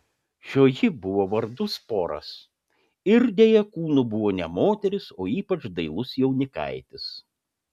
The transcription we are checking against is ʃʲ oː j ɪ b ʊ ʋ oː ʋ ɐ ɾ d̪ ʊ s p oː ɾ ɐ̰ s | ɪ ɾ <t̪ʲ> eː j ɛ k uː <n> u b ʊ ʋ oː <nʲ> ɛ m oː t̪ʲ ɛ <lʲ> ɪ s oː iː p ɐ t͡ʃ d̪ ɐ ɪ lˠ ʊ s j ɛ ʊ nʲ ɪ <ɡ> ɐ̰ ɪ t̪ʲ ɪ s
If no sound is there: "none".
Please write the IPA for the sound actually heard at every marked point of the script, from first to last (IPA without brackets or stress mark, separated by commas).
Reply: d̪ʲ, n, nʲ, ɾʲ, k